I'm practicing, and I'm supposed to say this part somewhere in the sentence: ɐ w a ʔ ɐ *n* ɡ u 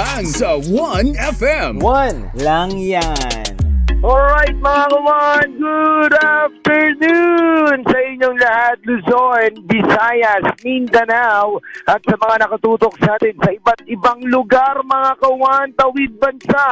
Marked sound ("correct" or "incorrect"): correct